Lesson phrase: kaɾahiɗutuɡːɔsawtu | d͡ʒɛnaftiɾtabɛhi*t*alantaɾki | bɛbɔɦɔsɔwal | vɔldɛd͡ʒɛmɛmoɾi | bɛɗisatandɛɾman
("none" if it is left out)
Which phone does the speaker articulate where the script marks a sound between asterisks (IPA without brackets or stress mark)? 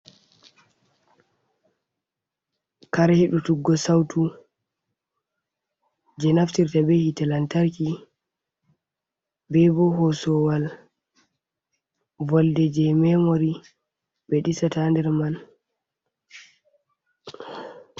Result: t